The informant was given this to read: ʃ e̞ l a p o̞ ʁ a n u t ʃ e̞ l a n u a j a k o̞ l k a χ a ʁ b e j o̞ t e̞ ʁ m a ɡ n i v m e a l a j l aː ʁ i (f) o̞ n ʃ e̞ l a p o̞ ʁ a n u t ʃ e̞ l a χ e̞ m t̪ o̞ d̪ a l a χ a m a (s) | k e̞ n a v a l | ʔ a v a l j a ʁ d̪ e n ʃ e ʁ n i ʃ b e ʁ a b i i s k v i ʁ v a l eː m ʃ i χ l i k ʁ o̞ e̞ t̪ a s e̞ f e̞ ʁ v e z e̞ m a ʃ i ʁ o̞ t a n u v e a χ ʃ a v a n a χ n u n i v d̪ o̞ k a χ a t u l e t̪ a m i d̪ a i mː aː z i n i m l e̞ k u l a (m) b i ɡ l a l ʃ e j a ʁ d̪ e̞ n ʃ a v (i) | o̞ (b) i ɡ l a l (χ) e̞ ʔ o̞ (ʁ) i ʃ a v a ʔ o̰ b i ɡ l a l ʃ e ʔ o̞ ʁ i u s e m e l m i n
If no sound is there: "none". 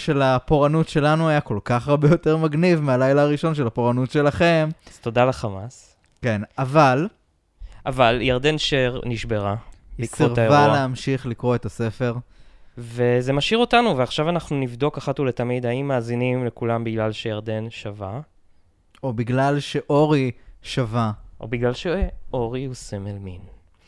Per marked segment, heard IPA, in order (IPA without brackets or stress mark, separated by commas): ʃ, s, m, a, b, ʃ, ʁ